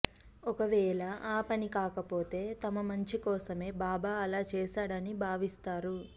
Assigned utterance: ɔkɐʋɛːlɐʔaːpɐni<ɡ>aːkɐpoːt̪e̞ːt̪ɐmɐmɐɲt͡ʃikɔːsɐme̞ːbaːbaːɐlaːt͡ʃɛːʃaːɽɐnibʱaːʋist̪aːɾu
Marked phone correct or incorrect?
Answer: incorrect